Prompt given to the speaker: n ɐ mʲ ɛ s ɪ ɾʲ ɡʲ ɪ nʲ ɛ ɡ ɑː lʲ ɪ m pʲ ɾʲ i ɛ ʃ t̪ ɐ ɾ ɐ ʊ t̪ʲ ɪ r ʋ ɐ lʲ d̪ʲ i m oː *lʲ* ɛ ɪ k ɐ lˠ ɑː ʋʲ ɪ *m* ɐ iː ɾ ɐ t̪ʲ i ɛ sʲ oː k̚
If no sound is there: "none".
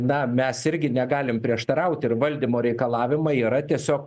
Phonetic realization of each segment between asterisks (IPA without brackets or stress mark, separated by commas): ɾʲ, m